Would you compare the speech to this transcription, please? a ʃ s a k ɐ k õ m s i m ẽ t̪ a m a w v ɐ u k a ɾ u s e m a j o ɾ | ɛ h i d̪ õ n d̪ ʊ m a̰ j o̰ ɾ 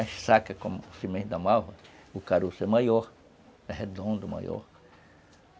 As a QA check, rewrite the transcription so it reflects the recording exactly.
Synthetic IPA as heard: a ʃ s a k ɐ k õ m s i m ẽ d̪ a m a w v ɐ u k a ɾ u s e m a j o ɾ | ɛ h e d̪ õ n d̪ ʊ m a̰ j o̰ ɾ